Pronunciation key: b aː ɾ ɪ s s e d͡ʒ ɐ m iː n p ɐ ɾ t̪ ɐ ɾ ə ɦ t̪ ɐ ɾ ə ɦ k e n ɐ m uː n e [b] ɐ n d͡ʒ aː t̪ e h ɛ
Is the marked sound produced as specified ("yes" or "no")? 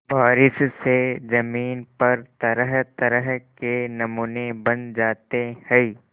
yes